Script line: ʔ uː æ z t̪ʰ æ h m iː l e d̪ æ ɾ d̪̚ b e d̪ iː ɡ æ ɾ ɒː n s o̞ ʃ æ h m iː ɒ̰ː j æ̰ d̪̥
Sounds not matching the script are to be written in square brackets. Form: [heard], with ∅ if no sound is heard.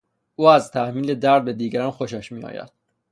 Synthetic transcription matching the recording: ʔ uː æ z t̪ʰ æ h m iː l e d̪ æ ɾ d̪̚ b e d̪ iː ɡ æ ɾ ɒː n [x] o̞ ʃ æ [ʃ] m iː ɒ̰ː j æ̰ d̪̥